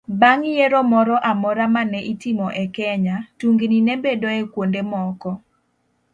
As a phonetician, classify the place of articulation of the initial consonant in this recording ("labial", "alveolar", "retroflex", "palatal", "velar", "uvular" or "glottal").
labial